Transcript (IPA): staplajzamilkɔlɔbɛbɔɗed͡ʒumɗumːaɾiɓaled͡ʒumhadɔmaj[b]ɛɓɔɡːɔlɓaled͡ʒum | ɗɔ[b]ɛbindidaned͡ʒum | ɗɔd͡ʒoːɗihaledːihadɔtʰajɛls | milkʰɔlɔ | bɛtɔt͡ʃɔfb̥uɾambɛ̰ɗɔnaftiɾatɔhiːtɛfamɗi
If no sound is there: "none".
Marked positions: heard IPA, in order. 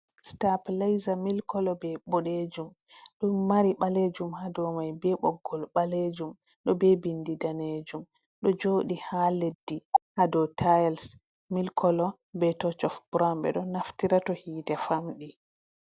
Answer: b, b

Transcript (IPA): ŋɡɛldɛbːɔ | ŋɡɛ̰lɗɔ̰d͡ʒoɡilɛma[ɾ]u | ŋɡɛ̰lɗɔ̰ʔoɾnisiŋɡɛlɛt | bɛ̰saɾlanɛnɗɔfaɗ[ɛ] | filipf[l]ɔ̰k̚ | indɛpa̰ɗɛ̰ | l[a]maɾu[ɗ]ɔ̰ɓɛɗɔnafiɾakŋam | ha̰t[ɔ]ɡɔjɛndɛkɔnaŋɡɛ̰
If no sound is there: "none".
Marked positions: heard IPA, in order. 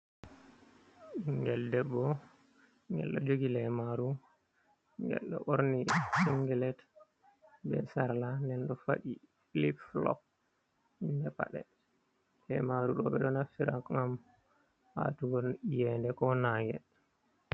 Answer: ɾ, i, l, ɛ, ɗ, u

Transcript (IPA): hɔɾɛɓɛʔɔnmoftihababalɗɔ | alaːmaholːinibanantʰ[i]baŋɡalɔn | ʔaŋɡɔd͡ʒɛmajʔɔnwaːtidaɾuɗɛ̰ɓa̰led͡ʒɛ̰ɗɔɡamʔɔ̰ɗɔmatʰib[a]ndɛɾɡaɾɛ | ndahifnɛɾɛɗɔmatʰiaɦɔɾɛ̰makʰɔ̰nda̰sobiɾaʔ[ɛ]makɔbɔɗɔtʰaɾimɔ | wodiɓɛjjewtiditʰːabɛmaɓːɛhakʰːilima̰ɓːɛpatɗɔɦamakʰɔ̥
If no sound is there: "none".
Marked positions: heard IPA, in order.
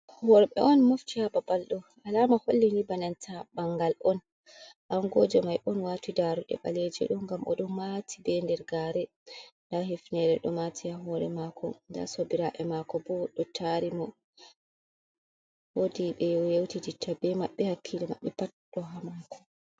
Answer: a, ɛ, ɛ

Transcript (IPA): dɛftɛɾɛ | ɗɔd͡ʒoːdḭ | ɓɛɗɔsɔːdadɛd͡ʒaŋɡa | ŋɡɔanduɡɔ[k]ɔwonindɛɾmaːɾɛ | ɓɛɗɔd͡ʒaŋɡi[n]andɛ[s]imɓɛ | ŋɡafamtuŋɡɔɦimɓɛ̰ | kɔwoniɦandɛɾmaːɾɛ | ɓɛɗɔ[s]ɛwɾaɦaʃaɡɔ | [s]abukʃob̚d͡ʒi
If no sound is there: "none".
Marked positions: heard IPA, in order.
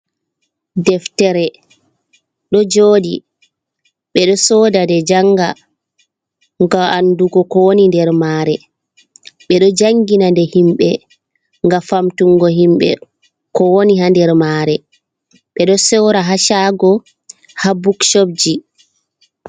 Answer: k, n, h, s, h

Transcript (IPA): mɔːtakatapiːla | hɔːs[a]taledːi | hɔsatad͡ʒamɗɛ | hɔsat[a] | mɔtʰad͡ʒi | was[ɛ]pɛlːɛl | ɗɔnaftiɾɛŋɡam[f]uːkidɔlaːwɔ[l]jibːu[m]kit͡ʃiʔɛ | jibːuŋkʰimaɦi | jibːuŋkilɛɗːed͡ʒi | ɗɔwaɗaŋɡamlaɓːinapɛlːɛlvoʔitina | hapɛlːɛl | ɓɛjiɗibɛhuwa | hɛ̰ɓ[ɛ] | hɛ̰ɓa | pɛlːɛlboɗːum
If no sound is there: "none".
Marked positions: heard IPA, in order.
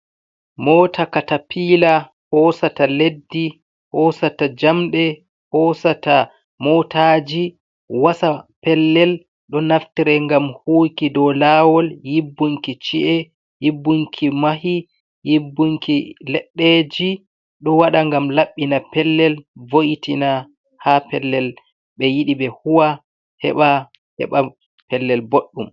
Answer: a, a, a, h, l, ŋ, a

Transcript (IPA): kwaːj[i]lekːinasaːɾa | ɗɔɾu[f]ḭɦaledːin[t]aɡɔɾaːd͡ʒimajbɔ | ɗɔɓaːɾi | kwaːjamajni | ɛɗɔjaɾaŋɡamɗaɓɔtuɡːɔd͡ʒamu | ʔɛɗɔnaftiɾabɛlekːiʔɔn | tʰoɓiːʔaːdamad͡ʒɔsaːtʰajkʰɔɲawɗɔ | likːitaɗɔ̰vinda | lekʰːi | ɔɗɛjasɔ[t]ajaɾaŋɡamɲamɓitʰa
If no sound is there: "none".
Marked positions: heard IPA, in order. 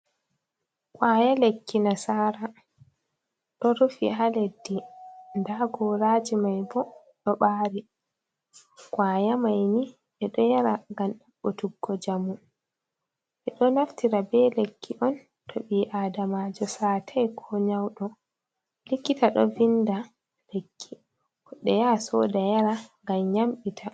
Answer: a, f, d, d

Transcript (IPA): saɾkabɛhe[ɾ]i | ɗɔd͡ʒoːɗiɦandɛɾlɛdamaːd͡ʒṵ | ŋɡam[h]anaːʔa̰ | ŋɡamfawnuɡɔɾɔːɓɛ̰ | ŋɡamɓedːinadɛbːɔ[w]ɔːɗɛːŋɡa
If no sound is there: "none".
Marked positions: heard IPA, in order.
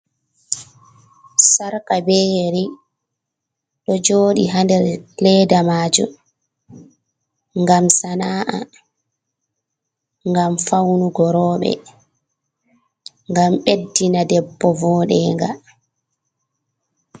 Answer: ɾ, s, v

